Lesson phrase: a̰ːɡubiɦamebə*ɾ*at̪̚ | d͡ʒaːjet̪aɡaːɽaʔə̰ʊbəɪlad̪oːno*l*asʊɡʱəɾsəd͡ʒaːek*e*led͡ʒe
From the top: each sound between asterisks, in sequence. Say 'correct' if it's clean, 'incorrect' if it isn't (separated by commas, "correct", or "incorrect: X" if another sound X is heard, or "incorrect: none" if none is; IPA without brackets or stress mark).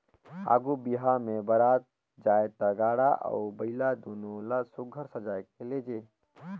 correct, correct, correct